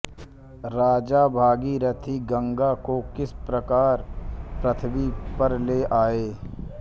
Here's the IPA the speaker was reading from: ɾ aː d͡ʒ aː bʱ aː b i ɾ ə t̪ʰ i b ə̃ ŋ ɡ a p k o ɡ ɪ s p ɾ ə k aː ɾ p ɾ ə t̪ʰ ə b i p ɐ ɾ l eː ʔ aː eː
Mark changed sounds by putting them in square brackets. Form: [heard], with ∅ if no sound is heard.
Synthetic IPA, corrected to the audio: ɾ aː d͡ʒ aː bʱ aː [ɡ] i ɾ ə t̪ʰ i [ɡ] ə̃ ŋ ɡ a [∅] k o [k] ɪ s p ɾ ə k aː ɾ p ɾ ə t̪ʰ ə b i p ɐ ɾ l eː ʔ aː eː